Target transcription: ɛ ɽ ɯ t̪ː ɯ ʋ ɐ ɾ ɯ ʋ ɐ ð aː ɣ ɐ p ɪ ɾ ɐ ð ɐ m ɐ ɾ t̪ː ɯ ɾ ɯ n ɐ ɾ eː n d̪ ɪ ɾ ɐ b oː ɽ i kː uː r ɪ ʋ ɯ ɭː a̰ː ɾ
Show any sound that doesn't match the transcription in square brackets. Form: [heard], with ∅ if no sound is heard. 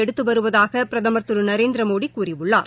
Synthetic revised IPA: ɛ ɽ ɯ t̪ː ɯ ʋ ɐ ɾ ɯ ʋ ɐ ð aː ɣ ɐ p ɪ ɾ ɐ ð ɐ m ɐ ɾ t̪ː ɯ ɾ ɯ n ɐ ɾ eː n d̪ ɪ ɾ ɐ [m] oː ɽ i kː uː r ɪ ʋ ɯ ɭː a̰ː ɾ